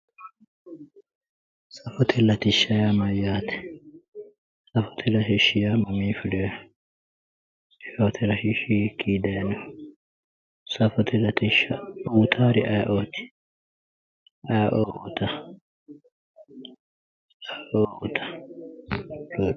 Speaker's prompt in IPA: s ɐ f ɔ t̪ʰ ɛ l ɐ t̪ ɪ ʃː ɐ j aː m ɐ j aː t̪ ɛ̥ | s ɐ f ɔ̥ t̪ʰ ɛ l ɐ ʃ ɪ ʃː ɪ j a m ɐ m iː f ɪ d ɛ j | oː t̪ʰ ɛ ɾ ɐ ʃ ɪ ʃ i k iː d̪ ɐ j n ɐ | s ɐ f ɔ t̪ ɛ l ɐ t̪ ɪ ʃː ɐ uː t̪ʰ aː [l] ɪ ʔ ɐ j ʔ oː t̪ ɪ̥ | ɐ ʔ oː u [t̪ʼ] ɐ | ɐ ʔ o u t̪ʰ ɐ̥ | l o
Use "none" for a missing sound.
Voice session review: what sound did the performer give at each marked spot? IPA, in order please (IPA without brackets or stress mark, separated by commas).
ɾ, t̪